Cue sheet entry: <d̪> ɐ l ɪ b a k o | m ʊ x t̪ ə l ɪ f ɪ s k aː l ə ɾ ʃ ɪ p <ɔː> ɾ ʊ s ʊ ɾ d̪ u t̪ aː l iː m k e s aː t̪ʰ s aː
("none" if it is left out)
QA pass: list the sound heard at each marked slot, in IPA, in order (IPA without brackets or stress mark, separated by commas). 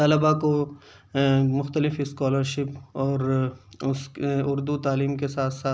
t̪, ɔː